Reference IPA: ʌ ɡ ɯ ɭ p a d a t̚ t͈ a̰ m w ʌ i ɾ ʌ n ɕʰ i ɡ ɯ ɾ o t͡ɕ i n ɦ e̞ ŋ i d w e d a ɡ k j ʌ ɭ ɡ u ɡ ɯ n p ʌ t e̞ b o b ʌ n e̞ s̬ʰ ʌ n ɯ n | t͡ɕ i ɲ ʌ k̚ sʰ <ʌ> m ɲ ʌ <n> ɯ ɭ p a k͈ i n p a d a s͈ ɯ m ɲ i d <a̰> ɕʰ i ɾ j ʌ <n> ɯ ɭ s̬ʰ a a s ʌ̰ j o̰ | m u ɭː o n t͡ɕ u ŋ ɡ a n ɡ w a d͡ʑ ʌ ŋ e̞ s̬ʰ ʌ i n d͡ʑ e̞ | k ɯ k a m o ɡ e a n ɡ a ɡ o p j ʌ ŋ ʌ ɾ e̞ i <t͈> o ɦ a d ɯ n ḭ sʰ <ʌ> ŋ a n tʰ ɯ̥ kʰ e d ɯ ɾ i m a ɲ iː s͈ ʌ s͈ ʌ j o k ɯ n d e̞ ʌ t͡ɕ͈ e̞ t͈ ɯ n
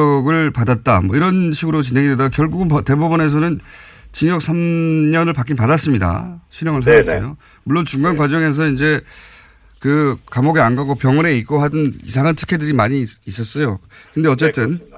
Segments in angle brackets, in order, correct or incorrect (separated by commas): incorrect, correct, correct, incorrect, incorrect, incorrect